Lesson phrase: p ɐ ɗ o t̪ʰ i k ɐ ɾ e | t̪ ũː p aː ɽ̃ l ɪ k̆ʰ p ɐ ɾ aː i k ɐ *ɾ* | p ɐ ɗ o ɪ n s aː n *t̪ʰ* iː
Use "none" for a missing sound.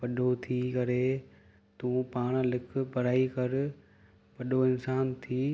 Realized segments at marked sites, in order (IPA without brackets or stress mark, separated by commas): ɾ, t̪ʰ